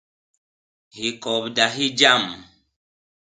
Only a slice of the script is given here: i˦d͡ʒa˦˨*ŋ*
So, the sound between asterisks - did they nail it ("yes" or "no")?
no